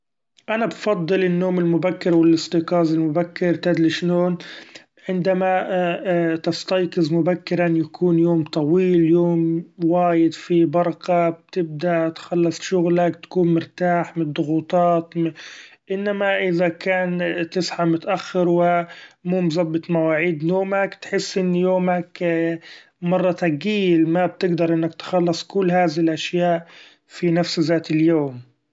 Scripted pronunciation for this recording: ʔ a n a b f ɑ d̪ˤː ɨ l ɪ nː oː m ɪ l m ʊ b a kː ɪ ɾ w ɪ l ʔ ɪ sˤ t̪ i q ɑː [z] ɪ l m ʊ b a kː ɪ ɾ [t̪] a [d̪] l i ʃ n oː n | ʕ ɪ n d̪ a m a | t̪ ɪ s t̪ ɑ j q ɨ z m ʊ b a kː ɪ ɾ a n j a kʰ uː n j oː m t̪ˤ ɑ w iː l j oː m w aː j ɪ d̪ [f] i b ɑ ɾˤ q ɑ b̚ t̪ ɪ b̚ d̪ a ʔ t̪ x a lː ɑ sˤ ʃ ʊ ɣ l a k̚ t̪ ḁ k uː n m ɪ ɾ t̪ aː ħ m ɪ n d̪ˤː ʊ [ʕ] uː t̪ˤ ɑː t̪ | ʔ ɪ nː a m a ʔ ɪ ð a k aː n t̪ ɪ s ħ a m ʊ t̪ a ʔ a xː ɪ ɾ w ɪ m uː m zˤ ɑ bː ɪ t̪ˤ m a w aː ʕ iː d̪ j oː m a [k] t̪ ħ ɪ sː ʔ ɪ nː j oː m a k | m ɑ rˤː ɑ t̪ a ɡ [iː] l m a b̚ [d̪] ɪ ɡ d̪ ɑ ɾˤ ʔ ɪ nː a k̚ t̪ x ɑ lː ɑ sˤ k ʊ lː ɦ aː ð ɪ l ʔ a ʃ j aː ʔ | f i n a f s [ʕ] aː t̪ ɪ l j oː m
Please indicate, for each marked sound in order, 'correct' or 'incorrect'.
correct, correct, correct, correct, incorrect: ɣ, correct, correct, incorrect: t̪, incorrect: z

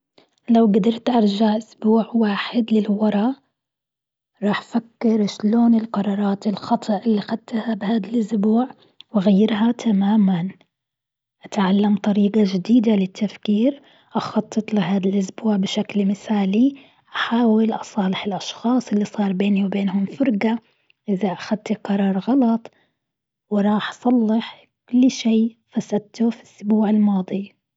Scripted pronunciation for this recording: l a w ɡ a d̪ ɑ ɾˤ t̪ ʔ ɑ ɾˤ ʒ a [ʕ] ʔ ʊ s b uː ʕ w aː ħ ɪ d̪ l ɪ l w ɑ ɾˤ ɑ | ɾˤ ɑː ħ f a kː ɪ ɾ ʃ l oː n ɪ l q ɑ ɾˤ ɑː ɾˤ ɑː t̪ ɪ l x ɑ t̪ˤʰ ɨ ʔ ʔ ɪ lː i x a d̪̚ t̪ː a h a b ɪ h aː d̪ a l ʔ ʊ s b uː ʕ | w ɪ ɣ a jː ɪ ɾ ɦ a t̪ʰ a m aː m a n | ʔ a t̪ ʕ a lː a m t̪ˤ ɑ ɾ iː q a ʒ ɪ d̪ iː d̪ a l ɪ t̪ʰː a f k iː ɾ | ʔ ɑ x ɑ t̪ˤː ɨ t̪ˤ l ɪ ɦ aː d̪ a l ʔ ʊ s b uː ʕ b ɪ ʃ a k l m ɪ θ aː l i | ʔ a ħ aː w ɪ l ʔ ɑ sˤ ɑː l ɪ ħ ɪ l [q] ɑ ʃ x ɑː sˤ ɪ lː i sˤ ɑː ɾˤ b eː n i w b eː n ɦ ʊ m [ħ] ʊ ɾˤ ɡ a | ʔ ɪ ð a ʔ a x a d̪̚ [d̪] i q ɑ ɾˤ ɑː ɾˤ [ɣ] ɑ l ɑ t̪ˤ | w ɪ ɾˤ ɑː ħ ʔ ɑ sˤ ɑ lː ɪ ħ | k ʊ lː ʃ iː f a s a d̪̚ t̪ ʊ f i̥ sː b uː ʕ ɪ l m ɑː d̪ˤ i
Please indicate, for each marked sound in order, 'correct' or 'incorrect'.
correct, incorrect: ʔ, incorrect: f, incorrect: t̪, correct

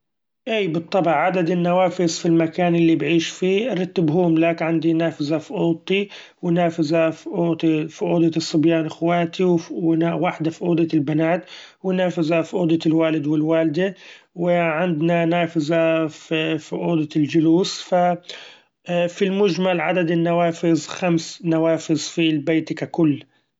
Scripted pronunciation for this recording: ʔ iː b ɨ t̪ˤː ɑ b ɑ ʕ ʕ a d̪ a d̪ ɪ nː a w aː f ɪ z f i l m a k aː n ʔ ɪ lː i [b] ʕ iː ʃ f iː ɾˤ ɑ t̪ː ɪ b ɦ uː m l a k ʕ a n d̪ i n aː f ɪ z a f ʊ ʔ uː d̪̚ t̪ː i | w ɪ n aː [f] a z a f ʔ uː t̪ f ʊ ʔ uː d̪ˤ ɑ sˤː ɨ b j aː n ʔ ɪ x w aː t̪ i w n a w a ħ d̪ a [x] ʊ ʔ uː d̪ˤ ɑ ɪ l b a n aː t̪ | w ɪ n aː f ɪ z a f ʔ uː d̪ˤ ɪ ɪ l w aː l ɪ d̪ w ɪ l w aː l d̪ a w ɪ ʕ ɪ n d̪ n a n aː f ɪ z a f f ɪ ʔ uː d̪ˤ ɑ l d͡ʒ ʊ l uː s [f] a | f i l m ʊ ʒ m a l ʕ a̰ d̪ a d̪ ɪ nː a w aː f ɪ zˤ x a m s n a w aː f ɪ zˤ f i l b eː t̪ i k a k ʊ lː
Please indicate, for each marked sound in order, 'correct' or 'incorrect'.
correct, correct, incorrect: f, correct

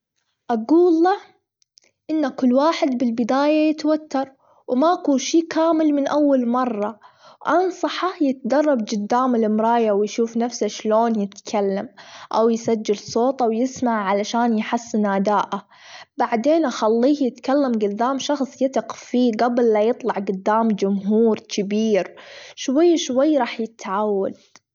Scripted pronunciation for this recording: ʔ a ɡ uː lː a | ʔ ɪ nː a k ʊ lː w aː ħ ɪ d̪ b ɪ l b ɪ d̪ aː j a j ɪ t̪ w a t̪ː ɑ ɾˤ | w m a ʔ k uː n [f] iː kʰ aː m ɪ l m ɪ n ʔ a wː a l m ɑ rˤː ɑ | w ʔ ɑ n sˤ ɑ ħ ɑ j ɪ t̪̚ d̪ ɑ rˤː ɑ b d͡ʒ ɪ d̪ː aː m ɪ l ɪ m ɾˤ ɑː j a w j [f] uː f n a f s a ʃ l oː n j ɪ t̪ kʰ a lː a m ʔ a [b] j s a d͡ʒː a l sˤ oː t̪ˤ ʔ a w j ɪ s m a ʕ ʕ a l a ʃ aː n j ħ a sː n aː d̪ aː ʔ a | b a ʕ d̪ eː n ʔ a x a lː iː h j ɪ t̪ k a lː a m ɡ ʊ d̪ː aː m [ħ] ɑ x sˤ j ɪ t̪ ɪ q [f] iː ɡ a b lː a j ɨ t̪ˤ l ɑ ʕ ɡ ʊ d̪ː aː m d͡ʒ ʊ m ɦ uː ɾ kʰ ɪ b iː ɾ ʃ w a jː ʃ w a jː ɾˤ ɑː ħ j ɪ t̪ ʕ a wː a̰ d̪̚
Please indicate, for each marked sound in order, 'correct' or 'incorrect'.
incorrect: ʃ, incorrect: ʃ, incorrect: w, incorrect: ʃ, correct

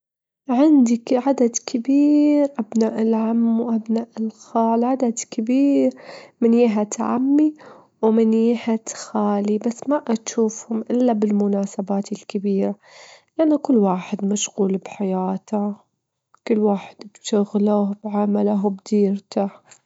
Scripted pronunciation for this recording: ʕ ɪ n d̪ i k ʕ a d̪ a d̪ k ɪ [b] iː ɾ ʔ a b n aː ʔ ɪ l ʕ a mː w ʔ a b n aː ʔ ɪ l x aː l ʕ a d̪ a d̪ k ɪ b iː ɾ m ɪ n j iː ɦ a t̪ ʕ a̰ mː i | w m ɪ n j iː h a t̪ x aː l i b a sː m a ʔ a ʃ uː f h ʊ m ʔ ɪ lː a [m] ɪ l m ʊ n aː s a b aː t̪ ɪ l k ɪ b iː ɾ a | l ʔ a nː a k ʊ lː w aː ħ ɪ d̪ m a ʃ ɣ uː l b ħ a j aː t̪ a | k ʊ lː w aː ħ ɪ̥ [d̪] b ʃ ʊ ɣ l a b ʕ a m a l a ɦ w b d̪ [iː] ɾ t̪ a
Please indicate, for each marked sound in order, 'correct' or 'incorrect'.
correct, incorrect: b, correct, correct

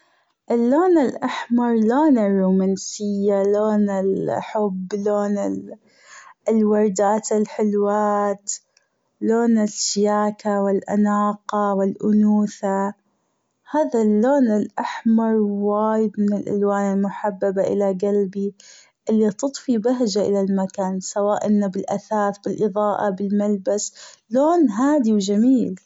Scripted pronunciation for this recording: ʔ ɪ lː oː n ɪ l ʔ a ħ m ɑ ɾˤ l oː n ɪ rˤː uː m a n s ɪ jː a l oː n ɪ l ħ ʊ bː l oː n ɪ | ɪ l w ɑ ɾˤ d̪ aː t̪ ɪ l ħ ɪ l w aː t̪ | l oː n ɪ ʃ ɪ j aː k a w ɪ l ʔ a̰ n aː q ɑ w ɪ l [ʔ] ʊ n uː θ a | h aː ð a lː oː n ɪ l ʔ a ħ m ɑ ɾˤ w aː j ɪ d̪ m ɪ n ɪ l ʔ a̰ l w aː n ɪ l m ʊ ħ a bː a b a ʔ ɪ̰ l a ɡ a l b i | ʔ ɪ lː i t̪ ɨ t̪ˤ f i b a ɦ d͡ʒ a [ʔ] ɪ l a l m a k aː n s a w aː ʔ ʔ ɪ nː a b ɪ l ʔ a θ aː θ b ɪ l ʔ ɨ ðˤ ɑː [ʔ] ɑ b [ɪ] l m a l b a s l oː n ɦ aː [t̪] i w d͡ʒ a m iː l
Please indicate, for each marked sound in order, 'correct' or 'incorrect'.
correct, correct, correct, correct, incorrect: d̪

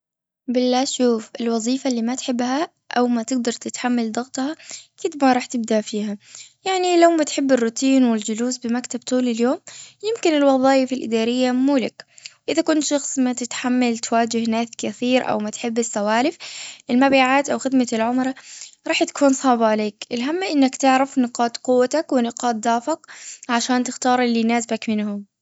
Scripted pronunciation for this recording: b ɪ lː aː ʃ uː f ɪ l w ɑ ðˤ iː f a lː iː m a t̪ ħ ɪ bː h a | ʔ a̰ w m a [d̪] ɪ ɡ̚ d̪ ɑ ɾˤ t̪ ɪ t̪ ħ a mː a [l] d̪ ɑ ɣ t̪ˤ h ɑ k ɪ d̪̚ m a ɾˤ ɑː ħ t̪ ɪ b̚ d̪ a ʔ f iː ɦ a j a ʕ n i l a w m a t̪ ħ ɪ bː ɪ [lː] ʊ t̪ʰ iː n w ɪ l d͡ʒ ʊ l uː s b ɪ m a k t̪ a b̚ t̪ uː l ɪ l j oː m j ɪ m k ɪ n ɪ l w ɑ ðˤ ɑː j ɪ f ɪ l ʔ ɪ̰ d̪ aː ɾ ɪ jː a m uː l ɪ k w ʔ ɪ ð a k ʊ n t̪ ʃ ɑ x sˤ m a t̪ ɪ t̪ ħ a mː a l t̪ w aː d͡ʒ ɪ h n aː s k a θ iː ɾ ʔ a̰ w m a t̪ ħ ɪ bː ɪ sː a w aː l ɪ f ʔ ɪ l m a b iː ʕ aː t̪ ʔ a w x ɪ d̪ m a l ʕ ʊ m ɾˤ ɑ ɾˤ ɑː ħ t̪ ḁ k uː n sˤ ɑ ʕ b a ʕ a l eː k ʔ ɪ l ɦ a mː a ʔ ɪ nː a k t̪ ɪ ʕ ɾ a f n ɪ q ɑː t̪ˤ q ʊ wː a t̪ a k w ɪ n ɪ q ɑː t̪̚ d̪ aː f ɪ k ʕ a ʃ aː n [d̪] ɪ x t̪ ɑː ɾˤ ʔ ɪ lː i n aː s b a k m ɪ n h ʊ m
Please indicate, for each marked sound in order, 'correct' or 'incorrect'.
incorrect: t̪, correct, incorrect: rː, incorrect: t̪

